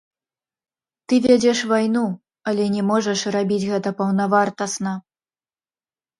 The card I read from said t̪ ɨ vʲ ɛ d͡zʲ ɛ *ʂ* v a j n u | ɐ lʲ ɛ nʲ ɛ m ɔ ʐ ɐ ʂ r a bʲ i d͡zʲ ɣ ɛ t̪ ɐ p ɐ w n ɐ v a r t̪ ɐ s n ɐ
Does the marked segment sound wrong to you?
no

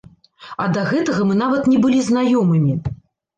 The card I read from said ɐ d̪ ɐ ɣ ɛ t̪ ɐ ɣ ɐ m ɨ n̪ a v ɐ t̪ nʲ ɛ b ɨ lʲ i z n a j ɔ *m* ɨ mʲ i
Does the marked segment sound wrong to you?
no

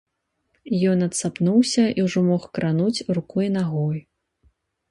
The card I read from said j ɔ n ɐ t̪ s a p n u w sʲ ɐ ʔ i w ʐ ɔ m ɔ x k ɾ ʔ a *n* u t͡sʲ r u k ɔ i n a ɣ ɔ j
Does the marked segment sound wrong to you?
no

